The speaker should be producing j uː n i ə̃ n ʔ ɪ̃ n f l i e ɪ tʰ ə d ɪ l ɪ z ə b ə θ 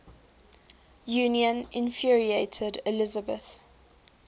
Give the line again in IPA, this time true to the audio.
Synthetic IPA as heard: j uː n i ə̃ n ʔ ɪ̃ n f ɹ i e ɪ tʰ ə d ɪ l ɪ z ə b ə θ